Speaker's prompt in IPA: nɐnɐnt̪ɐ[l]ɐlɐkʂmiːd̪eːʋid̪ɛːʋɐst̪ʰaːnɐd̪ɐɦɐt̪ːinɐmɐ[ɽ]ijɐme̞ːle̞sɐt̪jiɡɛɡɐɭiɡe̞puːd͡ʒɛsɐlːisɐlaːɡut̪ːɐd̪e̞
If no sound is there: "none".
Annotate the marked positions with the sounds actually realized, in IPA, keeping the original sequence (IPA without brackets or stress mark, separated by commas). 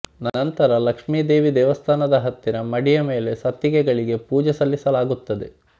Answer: ɾ, ɽ